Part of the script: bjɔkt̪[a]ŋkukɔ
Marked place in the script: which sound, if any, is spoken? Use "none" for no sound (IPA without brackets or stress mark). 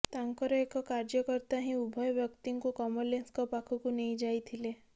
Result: i